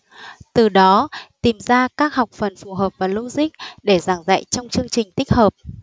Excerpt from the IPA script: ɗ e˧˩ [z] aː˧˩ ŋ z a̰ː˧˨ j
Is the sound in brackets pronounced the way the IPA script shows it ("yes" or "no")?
yes